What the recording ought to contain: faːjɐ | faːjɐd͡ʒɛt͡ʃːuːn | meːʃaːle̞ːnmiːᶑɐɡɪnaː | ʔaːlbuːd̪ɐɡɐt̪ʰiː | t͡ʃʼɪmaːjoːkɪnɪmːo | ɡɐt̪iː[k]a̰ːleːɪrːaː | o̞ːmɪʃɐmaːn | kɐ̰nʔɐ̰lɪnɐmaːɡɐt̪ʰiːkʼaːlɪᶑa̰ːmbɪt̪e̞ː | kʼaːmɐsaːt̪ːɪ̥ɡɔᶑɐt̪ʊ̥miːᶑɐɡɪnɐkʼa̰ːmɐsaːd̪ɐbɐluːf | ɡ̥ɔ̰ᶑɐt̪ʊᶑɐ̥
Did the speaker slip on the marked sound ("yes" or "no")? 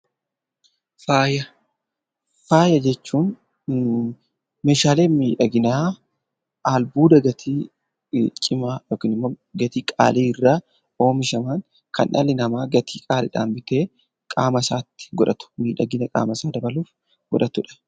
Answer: yes